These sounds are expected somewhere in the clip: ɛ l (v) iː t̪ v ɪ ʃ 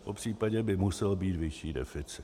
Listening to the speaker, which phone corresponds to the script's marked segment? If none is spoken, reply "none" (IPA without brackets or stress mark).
b